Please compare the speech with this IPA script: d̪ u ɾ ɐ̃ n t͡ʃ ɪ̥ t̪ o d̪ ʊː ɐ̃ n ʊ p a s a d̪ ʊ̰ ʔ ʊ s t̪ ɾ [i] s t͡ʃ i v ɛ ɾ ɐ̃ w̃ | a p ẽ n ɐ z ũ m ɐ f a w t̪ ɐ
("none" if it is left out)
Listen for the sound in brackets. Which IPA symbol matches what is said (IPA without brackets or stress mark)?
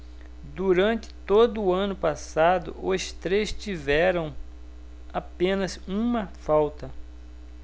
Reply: e